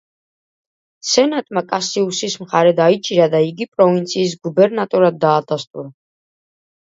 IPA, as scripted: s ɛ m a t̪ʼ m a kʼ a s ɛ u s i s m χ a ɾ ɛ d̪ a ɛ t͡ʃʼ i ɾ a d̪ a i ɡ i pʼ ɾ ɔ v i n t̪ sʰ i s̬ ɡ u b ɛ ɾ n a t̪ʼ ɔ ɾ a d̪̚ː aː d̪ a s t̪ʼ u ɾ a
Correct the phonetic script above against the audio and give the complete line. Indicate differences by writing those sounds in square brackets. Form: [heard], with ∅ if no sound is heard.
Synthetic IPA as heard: s ɛ [n] a t̪ʼ m a kʼ a s [i] u s i s m χ a ɾ ɛ d̪ a [i] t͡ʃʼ i ɾ a d̪ a i ɡ i pʼ ɾ ɔ v i n t̪ sʰ [iː] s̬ ɡ u b ɛ ɾ n a t̪ʼ ɔ ɾ a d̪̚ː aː d̪ a s t̪ʼ u ɾ a